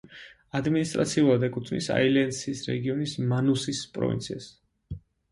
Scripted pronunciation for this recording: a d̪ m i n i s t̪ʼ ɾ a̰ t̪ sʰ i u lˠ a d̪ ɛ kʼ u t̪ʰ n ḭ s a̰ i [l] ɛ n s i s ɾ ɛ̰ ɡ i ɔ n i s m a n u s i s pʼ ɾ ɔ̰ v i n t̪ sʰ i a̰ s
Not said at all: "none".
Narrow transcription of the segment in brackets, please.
l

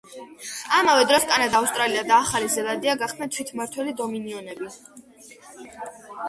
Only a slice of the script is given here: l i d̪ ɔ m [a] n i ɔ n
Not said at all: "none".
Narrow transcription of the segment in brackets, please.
i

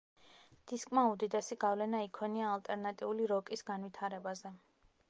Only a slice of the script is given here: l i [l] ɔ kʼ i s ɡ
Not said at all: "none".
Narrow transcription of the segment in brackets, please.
ɾ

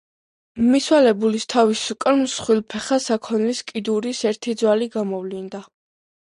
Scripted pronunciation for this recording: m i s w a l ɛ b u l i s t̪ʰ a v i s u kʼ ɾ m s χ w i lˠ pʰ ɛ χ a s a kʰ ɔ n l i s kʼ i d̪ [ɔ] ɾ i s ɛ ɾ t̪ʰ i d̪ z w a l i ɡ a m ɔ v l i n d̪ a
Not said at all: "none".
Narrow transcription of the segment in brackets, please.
u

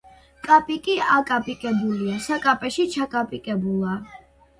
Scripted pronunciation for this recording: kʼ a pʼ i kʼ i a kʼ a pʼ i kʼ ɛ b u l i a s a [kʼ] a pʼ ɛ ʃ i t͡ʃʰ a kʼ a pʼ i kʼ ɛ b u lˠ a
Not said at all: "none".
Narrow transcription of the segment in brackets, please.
kʼ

